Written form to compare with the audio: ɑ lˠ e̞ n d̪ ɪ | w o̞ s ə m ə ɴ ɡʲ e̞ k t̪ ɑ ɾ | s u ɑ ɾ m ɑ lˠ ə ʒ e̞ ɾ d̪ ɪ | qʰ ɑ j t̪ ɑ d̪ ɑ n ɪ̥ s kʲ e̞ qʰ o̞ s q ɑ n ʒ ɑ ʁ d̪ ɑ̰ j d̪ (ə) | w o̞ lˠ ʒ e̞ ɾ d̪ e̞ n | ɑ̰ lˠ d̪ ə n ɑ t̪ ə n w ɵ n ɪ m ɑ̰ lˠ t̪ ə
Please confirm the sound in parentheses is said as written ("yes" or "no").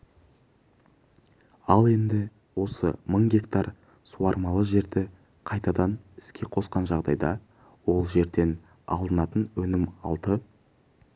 no